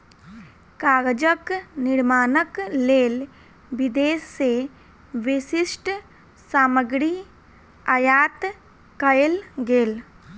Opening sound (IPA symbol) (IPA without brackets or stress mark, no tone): k